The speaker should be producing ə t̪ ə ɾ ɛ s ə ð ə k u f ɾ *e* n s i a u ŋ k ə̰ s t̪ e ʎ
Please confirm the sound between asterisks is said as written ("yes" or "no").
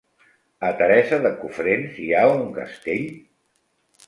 yes